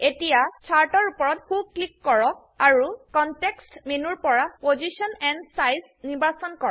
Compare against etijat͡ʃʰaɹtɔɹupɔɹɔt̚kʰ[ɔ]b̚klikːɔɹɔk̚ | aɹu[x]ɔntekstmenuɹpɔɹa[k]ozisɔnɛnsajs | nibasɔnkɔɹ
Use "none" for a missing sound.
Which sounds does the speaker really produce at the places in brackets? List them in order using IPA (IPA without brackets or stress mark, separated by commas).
u, k, p